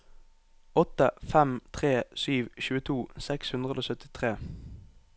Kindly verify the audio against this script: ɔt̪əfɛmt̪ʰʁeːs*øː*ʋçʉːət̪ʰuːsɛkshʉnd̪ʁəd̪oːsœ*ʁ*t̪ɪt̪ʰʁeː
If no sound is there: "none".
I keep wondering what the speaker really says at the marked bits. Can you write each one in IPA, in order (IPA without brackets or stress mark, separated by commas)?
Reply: yː, none